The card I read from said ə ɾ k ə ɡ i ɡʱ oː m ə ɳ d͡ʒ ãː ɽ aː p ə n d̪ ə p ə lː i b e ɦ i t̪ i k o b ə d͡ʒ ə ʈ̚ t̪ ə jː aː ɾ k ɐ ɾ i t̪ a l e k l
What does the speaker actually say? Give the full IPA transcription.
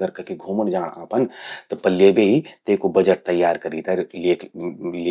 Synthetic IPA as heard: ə ɾ k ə k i ɡʱ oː m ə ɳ d͡ʒ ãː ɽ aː p ə n t̪ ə p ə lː e b e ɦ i t̪ e k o b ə d͡ʒ ə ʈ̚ t̪ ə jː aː ɾ k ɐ ɾ i t̪ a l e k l

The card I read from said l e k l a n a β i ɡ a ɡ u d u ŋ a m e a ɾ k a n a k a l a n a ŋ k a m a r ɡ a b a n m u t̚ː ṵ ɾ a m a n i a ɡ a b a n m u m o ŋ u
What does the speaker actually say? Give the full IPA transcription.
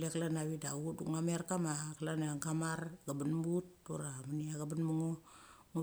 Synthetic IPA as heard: l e k l a n a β i d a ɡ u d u ŋ a m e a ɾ k a m a k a l a n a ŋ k a m a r ɡ a b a n m u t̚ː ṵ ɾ a m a n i a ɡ a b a n m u ŋ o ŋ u

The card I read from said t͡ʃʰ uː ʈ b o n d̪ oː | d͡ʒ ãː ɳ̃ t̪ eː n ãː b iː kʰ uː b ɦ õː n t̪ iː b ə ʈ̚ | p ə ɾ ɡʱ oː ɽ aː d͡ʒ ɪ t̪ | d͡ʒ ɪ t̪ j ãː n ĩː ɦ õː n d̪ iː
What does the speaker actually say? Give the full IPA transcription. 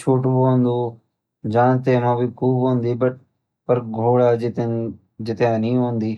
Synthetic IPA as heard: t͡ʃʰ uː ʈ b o n d̪ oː | d͡ʒ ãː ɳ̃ t̪ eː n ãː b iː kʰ uː b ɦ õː n d̪ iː b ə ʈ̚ | p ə ɾ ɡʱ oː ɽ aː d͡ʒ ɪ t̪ | d͡ʒ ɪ t̪ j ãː n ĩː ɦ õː n d̪ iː

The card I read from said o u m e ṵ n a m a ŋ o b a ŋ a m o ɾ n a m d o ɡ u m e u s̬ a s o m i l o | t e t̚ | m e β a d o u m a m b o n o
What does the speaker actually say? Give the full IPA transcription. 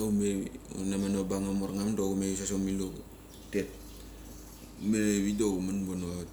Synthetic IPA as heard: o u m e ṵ n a m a n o b a ŋ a m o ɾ ŋ a m d o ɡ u m e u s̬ a s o m i l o | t e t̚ | m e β i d o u m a n b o n o

